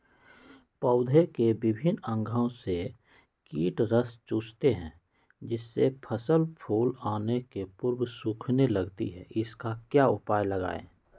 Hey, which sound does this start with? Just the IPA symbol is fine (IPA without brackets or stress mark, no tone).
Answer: p